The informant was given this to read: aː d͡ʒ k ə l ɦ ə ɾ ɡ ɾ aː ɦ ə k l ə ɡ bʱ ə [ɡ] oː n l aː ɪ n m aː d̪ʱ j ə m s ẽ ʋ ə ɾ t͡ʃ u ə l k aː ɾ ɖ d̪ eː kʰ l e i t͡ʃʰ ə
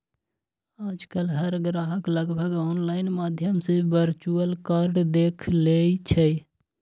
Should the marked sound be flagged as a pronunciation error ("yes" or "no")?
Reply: no